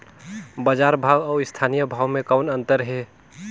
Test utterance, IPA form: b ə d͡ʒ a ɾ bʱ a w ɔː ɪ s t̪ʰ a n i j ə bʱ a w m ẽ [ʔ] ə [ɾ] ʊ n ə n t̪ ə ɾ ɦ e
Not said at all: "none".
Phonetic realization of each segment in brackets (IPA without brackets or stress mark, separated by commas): k, none